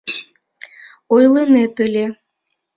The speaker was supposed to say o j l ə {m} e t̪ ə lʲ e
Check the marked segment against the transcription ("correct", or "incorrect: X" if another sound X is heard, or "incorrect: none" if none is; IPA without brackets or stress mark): incorrect: n